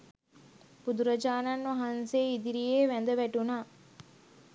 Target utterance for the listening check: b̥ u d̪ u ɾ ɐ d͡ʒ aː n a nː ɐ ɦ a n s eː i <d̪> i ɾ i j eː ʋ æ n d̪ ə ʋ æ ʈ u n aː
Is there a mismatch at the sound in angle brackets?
no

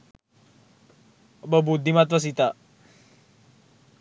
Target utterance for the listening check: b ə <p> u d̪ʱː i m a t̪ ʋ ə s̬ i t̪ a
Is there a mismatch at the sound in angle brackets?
yes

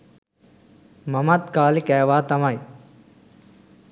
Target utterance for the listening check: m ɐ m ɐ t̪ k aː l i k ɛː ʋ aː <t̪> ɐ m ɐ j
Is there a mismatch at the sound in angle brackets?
no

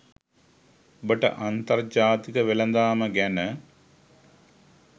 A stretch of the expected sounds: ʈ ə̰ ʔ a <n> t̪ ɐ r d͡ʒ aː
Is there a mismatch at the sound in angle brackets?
no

